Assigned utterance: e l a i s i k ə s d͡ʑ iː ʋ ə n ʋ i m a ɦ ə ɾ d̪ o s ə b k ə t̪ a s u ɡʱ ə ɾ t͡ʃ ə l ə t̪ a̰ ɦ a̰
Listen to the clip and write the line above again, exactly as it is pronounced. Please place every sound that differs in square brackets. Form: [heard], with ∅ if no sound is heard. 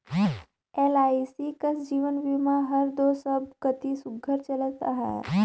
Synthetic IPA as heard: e l a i s i k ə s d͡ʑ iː ʋ ə n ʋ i m a ɦ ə ɾ d̪ o s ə b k ə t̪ [i] s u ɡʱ ə ɾ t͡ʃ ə l ə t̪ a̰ ɦ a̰